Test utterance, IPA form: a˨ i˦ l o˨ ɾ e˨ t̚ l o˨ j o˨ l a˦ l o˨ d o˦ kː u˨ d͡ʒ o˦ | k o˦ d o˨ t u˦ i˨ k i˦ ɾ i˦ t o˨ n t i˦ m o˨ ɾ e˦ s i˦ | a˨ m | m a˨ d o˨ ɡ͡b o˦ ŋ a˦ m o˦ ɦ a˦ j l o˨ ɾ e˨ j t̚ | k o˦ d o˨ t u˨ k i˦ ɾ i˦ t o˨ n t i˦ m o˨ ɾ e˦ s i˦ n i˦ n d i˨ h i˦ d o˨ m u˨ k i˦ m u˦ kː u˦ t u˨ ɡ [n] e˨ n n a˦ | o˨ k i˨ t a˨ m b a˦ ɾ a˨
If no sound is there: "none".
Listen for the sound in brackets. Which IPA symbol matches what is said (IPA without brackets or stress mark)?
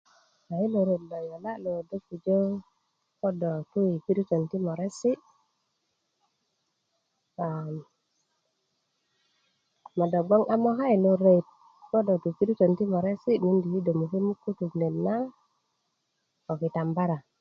n